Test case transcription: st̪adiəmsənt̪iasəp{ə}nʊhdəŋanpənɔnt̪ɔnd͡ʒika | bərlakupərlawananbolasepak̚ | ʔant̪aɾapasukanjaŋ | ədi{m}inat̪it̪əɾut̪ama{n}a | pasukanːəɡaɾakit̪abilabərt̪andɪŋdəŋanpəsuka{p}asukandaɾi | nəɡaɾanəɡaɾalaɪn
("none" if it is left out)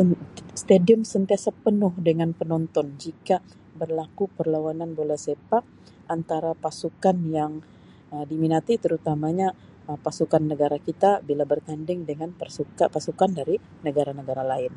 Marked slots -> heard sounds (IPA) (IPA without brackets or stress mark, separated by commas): ə, m, ɲ, p